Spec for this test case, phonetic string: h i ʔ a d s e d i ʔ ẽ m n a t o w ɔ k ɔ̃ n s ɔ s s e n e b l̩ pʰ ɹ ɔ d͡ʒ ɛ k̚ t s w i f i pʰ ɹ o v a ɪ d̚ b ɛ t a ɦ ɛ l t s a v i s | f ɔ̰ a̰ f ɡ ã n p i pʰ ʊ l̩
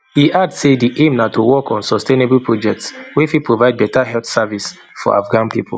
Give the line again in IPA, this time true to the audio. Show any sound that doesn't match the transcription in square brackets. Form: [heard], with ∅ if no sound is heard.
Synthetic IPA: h i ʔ a d s e d i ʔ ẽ m n a t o w ɔ k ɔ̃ n s ɔ s [t] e n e b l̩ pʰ ɹ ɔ d͡ʒ ɛ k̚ t s w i f i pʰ ɹ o v a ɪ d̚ b ɛ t a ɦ ɛ l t s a v i s | f ɔ̰ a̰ f ɡ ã n p i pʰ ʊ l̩